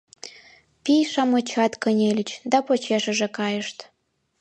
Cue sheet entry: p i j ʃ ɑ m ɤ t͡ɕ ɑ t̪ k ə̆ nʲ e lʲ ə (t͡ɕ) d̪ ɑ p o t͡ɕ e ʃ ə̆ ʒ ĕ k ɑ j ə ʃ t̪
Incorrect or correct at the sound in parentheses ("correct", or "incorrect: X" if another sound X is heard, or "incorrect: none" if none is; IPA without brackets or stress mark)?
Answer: correct